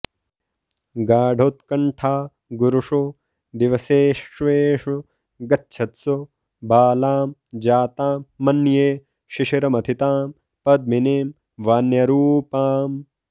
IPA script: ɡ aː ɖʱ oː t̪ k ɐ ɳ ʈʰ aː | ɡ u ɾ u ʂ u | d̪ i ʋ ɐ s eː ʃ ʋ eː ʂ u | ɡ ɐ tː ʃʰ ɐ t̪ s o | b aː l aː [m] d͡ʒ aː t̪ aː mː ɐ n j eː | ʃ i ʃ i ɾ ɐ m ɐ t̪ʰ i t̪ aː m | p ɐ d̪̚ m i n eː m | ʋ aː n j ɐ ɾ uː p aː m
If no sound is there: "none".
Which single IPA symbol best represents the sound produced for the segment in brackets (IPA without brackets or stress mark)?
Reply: m